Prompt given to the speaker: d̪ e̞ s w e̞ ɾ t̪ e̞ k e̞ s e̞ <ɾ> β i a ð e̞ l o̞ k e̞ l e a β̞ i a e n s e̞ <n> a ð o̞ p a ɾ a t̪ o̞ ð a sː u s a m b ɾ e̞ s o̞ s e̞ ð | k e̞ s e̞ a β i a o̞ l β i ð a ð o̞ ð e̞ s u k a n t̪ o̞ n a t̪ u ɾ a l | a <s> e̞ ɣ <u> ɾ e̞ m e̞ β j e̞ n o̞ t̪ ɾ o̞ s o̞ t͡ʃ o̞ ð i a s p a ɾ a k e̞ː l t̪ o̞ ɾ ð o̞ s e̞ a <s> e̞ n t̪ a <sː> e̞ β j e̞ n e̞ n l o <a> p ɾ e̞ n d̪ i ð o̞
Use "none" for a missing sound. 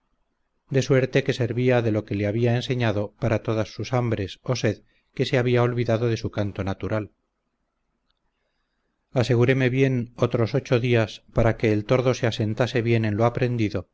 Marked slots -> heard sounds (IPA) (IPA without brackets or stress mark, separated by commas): ɾ, ɲ, s, u, s, s, a